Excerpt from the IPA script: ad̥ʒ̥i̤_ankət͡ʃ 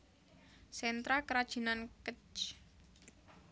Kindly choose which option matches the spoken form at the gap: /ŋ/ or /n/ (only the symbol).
n